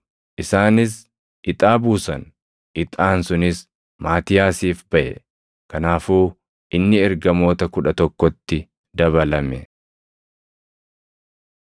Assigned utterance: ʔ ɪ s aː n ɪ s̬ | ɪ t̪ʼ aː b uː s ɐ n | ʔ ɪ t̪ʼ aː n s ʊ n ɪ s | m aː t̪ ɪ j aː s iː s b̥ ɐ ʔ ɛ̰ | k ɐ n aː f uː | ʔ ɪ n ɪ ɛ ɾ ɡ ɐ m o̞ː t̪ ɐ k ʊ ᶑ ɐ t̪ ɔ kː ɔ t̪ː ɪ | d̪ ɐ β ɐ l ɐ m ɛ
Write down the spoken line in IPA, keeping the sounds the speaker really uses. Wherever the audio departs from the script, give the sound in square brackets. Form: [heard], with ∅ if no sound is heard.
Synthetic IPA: ʔ ɪ s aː n ɪ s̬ | ɪ t̪ʼ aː b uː s ɐ n | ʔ ɪ t̪ʼ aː n s ʊ n ɪ s | m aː t̪ ɪ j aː s iː [f] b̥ ɐ ʔ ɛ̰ | k ɐ n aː f uː | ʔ ɪ [nː] ɪ ɛ ɾ ɡ ɐ m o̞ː t̪ ɐ k ʊ ᶑ ɐ t̪ ɔ kː ɔ t̪ː ɪ | d̪ ɐ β ɐ l ɐ m ɛ